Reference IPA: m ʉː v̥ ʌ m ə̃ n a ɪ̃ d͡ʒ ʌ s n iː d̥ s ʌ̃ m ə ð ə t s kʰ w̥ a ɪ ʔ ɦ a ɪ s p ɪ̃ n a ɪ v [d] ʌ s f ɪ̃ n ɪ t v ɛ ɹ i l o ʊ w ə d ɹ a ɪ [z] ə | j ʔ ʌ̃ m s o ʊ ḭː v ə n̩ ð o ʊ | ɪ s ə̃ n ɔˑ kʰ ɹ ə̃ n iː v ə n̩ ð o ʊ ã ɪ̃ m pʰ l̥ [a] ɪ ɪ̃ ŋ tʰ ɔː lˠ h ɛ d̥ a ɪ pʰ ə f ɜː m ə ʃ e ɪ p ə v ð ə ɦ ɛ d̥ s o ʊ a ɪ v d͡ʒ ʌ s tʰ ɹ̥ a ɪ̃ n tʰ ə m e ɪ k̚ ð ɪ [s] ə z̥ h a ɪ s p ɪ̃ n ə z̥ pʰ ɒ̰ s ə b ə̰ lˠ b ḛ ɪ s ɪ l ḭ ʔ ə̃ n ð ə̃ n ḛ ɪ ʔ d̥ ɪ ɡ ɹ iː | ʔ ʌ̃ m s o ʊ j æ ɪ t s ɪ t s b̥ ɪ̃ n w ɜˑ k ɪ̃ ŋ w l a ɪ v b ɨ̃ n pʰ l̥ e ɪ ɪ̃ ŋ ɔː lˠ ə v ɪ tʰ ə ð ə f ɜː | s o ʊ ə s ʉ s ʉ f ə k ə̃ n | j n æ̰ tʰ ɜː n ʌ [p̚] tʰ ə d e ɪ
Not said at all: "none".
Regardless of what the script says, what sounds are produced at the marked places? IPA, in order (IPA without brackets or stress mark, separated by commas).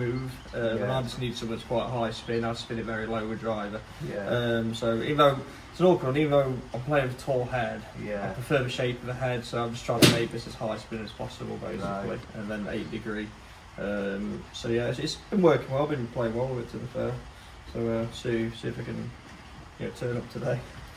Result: d͡ʒ, v, e, s, p̚